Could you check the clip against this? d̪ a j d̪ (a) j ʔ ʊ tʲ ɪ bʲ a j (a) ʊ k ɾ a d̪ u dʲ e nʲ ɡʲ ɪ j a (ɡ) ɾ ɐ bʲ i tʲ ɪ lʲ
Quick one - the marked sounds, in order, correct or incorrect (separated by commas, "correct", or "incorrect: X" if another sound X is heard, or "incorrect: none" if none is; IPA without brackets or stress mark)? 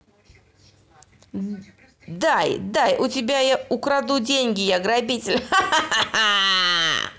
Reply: correct, correct, correct